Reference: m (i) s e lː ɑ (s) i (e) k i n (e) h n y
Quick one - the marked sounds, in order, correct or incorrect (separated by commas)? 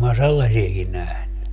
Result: incorrect, correct, correct, incorrect